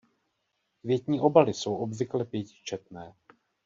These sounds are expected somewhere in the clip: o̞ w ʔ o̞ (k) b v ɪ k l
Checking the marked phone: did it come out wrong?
yes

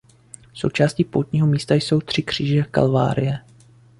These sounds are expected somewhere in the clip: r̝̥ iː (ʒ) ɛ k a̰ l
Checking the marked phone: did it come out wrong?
no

